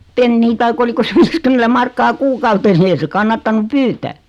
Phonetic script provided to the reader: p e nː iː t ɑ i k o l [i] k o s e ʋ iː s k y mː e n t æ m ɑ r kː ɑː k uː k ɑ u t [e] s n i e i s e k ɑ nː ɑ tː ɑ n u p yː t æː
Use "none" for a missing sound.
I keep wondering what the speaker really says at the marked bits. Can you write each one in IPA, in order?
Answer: i, e

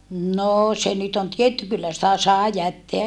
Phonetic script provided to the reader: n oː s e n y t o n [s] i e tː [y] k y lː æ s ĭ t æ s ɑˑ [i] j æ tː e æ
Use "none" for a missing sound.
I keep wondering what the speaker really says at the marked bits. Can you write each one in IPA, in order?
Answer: t, y, e

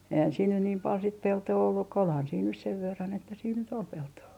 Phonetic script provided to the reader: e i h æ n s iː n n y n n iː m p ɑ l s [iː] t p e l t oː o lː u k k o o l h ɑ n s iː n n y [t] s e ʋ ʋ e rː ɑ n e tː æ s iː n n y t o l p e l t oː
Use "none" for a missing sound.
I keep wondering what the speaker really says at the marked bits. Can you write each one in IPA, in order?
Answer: i, s

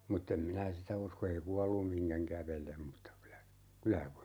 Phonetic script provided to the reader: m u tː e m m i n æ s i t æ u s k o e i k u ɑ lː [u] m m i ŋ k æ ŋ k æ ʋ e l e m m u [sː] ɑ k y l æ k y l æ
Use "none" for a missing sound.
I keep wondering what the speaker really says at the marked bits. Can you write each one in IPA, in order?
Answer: u, tː

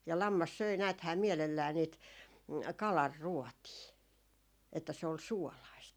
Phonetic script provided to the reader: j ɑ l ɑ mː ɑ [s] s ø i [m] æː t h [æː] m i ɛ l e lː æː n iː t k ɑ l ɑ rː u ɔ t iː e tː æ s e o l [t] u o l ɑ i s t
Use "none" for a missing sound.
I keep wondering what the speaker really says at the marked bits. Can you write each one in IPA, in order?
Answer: s, n, æː, s

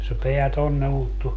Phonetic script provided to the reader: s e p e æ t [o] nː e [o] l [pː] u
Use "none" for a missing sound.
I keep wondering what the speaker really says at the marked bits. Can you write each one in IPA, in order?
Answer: o, u, tː

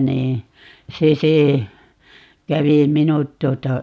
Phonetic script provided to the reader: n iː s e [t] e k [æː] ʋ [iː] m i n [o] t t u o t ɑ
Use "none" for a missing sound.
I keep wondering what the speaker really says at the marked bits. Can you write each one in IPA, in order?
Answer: s, æ, i, u

